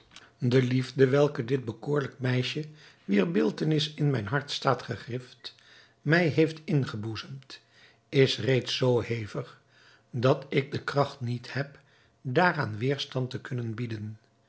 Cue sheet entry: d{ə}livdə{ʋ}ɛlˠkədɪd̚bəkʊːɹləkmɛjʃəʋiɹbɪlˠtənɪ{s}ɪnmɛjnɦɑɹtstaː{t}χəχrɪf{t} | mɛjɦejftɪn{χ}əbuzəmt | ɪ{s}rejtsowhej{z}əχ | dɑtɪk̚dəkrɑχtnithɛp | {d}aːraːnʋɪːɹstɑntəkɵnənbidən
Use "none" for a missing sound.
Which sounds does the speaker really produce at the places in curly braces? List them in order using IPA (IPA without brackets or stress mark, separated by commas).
ə, ʋ, s, t, t, χ, s, v, d